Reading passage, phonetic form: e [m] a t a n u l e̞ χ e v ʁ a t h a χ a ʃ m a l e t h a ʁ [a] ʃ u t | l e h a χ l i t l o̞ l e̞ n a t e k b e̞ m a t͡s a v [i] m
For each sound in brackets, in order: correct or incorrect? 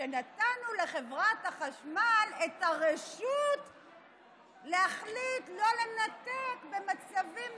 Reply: incorrect, incorrect, correct

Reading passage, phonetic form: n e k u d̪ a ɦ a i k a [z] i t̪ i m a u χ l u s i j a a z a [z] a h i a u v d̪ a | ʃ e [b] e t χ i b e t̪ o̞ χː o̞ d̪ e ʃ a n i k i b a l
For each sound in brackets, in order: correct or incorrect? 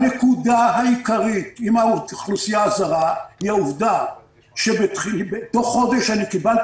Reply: incorrect, incorrect, correct

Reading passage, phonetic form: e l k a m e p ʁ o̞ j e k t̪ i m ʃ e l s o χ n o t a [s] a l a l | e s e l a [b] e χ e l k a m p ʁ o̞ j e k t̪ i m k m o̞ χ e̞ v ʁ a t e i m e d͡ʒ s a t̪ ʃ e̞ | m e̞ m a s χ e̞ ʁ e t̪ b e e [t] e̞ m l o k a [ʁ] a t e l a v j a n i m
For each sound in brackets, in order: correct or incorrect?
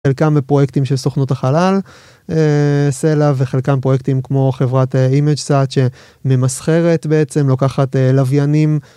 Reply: incorrect, incorrect, incorrect, incorrect

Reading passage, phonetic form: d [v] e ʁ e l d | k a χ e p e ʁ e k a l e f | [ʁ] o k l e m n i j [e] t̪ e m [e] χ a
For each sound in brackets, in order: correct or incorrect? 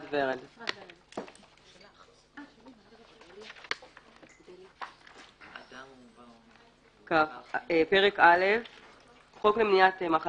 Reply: correct, incorrect, incorrect, incorrect

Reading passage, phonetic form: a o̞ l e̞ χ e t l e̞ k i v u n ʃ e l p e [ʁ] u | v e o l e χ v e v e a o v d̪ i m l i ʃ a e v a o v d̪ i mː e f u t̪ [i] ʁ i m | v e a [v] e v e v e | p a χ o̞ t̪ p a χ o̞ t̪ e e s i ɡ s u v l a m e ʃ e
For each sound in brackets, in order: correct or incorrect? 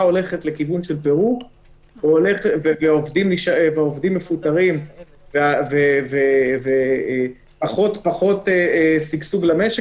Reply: correct, incorrect, correct

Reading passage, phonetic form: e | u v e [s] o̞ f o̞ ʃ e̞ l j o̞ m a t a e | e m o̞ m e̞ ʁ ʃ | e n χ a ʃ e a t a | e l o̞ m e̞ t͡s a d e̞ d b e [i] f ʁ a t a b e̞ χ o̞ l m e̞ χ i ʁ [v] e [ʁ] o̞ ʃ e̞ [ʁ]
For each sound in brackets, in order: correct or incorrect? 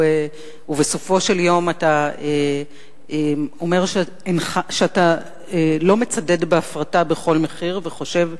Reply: correct, incorrect, correct, incorrect, incorrect

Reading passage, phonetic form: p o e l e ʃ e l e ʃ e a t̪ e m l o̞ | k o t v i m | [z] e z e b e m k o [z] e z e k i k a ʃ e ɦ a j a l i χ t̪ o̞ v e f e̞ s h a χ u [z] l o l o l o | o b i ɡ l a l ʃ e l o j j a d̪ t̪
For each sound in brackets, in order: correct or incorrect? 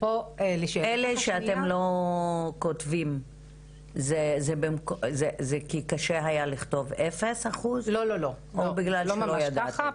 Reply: correct, correct, correct

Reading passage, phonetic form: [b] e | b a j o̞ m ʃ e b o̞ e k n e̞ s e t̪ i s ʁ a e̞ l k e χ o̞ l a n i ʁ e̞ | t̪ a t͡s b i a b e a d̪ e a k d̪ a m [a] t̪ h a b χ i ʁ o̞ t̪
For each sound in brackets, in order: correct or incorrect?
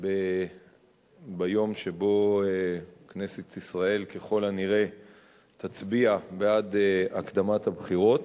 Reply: correct, correct

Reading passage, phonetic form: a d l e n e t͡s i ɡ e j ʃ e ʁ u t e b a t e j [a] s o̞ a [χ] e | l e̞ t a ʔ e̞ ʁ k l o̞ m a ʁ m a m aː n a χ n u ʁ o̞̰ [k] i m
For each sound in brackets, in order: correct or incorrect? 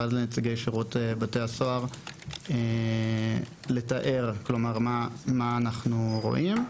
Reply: correct, incorrect, incorrect

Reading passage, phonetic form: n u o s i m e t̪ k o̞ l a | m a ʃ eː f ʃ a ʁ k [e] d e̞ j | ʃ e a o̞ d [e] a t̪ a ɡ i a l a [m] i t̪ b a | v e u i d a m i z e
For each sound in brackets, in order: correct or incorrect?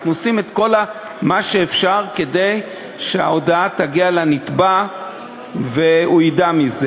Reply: correct, incorrect, incorrect

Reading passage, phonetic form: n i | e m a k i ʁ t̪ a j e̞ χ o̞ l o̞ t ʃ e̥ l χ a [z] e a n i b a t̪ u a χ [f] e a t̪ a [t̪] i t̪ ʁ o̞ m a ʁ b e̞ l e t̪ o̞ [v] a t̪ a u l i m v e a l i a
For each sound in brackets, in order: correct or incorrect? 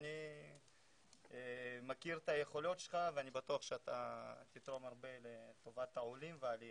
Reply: incorrect, incorrect, correct, correct

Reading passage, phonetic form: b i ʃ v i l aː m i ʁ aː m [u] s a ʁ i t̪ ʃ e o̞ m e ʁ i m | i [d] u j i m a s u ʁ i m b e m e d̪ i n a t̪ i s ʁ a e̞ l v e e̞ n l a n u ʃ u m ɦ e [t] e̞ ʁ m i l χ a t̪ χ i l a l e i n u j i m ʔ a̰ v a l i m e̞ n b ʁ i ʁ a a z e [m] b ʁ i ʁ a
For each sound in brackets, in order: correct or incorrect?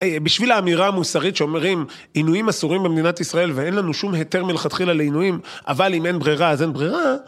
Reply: correct, incorrect, correct, incorrect

